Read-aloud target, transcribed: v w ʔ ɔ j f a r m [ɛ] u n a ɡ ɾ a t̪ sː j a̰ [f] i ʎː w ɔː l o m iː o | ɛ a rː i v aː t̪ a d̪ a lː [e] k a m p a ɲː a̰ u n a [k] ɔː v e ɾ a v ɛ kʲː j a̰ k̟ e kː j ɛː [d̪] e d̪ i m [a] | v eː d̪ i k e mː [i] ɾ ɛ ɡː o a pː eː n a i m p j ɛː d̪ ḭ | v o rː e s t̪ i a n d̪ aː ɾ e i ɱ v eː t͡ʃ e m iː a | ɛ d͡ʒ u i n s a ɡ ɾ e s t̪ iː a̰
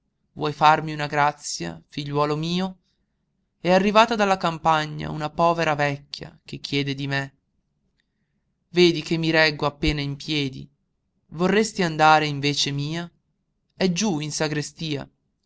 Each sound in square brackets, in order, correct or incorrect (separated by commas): incorrect, correct, incorrect, incorrect, correct, incorrect, correct